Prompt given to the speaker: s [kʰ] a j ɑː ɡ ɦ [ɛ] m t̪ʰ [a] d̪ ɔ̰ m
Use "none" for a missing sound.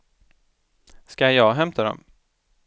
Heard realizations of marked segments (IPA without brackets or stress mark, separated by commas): k, ɛ, a